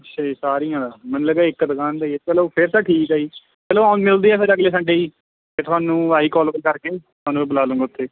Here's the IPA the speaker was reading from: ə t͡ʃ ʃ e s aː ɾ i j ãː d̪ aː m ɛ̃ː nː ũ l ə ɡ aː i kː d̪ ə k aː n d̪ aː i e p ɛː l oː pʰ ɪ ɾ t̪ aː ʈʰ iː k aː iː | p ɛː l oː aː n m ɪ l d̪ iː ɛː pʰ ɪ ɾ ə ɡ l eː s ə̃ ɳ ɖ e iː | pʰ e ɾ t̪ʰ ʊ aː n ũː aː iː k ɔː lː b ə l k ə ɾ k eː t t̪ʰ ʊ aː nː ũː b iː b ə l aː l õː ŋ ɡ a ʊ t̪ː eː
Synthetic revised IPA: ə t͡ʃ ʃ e s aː ɾ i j ãː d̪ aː m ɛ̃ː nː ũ l ə ɡ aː ɪ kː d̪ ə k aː n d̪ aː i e p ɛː l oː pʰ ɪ ɾ t̪ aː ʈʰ iː k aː iː | p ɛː l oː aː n m ɪ l d̪ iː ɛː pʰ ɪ ɾ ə ɡ l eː s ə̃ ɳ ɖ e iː | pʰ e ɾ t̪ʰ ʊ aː n ũː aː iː k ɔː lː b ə l k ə ɾ k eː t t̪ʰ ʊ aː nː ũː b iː b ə l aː l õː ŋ ɡ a ʊ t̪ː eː